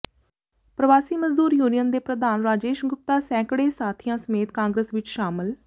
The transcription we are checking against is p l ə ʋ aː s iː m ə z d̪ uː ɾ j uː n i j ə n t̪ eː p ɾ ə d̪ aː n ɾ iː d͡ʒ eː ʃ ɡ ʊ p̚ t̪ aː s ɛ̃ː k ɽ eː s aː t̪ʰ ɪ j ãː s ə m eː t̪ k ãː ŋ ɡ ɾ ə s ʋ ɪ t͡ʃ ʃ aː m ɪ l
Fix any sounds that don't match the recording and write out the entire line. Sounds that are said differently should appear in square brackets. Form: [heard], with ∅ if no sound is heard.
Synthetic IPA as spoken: p [ɾ] ə ʋ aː s iː m ə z d̪ uː ɾ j uː n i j ə n [d̪] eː p ɾ ə d̪ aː n ɾ [aː] d͡ʒ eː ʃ ɡ ʊ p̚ t̪ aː s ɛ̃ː k ɽ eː s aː t̪ʰ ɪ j ãː s ə m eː t̪ k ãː ŋ ɡ ɾ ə s ʋ ɪ t͡ʃ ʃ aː m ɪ l

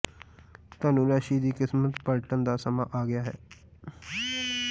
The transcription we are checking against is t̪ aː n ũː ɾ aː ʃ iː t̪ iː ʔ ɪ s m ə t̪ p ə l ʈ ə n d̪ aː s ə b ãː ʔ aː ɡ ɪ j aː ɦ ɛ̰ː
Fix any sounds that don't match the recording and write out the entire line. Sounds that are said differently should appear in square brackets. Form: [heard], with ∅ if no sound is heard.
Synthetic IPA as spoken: t̪ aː n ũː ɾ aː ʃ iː [d̪] iː [k] ɪ s m ə t̪ p ə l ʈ ə n d̪ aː s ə [m] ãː ʔ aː ɡ ɪ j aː ɦ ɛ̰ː

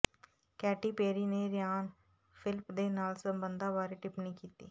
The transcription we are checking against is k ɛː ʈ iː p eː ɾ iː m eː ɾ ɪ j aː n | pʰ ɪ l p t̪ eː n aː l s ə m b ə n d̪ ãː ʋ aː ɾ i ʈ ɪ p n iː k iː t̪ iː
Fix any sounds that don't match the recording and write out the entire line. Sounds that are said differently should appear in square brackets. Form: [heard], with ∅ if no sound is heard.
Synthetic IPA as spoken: k ɛː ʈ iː p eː ɾ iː [n] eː ɾ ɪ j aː n | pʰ ɪ l p [d̪] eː n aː l s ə m b ə n d̪ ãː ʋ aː ɾ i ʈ ɪ p n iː k iː t̪ iː

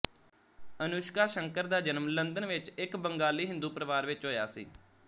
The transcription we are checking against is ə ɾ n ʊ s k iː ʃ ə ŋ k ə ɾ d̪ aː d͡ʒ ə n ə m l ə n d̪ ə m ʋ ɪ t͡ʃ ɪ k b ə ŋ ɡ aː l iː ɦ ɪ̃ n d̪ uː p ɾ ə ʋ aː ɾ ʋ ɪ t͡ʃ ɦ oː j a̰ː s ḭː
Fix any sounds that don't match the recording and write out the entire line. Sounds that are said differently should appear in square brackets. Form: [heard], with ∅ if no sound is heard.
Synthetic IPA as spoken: ə [∅] n ʊ [ʃ] k [aː] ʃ ə ŋ k ə ɾ d̪ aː d͡ʒ ə n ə m l ə n d̪ ə [n] ʋ ɪ t͡ʃ ɪ k b ə ŋ ɡ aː l iː ɦ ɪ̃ n d̪ uː p ɾ ə ʋ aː ɾ ʋ ɪ t͡ʃ ɦ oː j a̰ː s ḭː

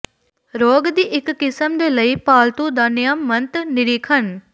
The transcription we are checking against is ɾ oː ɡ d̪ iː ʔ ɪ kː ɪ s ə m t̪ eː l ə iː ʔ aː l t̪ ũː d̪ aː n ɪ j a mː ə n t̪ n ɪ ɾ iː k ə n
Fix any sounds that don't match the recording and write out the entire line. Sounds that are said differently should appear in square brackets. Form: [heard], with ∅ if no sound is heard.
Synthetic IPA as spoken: ɾ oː ɡ d̪ iː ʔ ɪ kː ɪ s ə m [d̪] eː l ə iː [p] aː l t̪ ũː d̪ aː n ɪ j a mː ə n t̪ n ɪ ɾ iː [kʰ] ə n

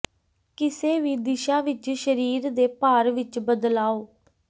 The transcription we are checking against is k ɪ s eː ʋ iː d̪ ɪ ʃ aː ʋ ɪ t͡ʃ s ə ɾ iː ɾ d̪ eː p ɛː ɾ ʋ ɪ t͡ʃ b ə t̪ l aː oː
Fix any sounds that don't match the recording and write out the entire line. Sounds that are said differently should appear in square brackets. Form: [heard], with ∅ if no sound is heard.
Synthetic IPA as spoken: k ɪ s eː ʋ iː d̪ ɪ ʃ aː ʋ ɪ t͡ʃ [ʃ] ə ɾ iː ɾ d̪ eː p [aː] ɾ ʋ ɪ t͡ʃ b ə [d̪] l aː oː

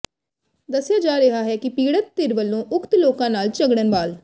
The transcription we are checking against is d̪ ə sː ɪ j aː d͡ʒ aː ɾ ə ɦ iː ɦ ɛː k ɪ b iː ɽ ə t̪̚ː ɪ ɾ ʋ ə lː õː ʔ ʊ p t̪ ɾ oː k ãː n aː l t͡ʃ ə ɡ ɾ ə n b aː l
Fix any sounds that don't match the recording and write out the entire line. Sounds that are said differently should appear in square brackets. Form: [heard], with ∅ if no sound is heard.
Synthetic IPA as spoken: d̪ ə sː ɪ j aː d͡ʒ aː ɾ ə ɦ [aː] ɦ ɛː k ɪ [p] iː ɽ ə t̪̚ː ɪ ɾ ʋ ə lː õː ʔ ʊ [k] t̪ [l] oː k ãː n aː l t͡ʃ ə ɡ [ɽ] ə n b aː l

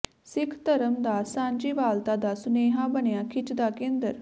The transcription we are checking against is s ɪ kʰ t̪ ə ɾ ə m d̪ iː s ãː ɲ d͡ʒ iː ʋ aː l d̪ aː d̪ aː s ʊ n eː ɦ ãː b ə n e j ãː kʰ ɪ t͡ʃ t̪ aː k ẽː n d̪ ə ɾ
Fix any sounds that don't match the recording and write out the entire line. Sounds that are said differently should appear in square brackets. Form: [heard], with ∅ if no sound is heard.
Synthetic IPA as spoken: s ɪ kʰ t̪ ə ɾ ə m d̪ [aː] s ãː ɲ d͡ʒ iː ʋ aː l [t̪] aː d̪ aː s ʊ n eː ɦ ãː b ə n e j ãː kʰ ɪ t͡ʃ [d̪] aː k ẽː n d̪ ə ɾ

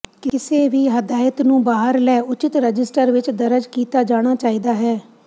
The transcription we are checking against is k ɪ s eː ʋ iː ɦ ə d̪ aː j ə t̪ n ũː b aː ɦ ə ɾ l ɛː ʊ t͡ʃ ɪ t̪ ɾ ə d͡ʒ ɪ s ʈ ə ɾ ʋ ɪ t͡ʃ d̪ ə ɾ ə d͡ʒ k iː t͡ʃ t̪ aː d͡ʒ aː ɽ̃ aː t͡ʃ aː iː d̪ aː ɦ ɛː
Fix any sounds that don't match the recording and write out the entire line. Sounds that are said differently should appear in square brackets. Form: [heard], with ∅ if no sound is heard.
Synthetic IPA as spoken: k ɪ s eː ʋ iː ɦ ə d̪ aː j ə t̪ n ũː b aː ɦ ə ɾ l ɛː ʊ t͡ʃ ɪ t̪ ɾ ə d͡ʒ ɪ s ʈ ə ɾ ʋ ɪ t͡ʃ d̪ ə ɾ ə d͡ʒ k iː [∅] t̪ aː d͡ʒ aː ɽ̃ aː t͡ʃ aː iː d̪ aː ɦ ɛː

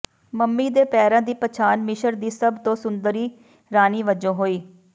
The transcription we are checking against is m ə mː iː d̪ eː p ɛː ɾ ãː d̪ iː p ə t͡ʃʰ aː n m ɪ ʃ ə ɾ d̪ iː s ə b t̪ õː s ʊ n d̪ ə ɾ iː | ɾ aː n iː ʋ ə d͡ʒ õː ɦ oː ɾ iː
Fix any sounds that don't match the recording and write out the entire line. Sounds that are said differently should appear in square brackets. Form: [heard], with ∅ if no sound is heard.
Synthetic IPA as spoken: m ə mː iː d̪ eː p ɛː ɾ ãː d̪ iː p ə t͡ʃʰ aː n m ɪ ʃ ə ɾ d̪ iː s ə b t̪ õː s ʊ n d̪ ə ɾ iː | ɾ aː n iː ʋ ə d͡ʒ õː ɦ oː [∅] iː

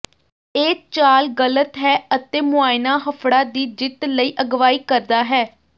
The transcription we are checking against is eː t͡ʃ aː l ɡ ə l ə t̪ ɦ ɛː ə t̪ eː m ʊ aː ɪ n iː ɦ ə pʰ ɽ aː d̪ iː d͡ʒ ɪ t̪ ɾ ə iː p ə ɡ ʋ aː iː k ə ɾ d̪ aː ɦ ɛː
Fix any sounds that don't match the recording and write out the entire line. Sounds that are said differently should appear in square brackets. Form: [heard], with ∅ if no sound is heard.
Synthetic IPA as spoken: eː t͡ʃ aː l ɡ ə l ə t̪ ɦ ɛː ə t̪ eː m ʊ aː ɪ n [aː] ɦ ə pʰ ɽ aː d̪ iː d͡ʒ ɪ t̪ [l] ə iː [ʔ] ə ɡ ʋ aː iː k ə ɾ d̪ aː ɦ ɛː

